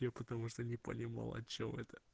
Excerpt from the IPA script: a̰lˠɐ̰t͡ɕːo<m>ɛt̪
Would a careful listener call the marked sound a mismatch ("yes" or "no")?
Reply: no